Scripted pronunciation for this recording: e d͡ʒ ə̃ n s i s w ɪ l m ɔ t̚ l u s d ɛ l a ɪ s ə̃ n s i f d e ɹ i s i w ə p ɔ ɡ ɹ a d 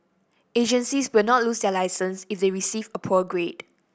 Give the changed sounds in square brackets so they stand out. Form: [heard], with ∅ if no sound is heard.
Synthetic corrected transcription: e d͡ʒ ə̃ n s i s w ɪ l [n] ɔ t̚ l u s d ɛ l a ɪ s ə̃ n s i f d e ɹ i s i [v] ə [pʰ] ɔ ɡ ɹ [e] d